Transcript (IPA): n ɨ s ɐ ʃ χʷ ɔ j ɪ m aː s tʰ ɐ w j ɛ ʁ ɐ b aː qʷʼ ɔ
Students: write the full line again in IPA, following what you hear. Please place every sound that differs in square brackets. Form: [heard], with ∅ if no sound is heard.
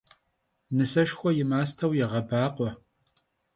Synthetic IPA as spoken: n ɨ s ɐ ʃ [xʷ] ɔ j ɪ m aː s tʰ ɐ w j ɛ ʁ ɐ b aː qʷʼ ɔ